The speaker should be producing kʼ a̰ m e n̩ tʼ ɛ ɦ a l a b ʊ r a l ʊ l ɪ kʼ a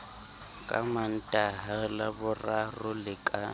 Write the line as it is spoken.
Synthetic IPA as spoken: kʼ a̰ m a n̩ tʼ a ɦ a l a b ʊ r a r ʊ l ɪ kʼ a